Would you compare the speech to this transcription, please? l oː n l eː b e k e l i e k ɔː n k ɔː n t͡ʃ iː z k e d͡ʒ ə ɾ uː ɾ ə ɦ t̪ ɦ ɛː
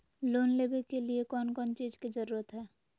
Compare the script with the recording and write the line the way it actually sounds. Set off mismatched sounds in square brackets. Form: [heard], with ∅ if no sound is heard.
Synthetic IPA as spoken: l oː n l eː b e k e l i e k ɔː n k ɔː n t͡ʃ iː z k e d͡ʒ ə ɾ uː ɾ ə [∅] t̪ ɦ ɛː